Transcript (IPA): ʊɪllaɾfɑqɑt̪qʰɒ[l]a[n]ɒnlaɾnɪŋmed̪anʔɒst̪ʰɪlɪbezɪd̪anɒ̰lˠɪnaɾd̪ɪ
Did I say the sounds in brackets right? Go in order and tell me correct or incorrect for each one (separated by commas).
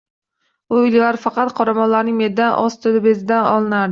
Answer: incorrect, incorrect